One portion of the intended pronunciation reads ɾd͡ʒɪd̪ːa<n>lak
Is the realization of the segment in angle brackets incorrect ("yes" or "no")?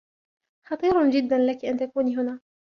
no